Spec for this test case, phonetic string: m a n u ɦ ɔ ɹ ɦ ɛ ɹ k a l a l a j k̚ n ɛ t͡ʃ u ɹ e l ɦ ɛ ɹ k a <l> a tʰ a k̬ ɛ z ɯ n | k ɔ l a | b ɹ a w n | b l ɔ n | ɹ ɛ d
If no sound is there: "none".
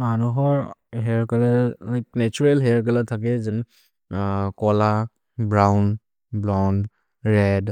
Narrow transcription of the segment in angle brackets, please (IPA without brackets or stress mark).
l